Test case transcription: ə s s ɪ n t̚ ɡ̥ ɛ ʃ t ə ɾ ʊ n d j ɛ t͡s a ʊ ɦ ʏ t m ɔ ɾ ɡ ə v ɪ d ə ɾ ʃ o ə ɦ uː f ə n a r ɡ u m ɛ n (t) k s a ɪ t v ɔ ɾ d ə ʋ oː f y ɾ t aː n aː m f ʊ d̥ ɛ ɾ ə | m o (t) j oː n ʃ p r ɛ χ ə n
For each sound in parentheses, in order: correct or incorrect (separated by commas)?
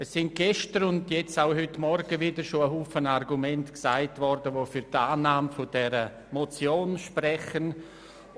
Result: correct, incorrect